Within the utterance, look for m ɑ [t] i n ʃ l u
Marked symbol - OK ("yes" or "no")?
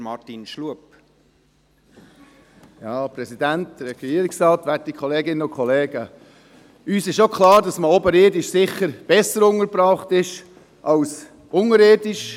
yes